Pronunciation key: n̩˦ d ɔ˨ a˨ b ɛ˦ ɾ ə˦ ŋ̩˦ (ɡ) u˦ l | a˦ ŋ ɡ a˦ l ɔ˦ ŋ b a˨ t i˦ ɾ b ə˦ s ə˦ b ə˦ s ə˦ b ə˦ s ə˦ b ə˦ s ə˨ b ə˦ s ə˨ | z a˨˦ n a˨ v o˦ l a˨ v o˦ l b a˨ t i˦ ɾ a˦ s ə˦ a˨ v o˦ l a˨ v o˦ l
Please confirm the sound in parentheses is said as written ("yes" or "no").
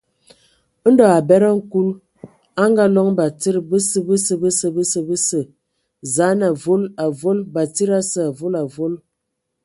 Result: no